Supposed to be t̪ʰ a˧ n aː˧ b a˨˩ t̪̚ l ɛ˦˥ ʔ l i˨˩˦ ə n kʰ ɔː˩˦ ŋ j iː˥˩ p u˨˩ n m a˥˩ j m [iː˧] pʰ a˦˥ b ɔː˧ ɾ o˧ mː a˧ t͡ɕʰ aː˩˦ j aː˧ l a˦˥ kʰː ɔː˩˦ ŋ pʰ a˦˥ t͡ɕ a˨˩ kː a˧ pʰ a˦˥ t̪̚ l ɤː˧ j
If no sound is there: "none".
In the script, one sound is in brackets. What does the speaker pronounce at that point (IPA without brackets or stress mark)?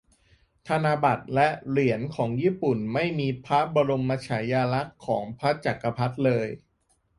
iː˧